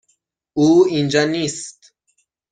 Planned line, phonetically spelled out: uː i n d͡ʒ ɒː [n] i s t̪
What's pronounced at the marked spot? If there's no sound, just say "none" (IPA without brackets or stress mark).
n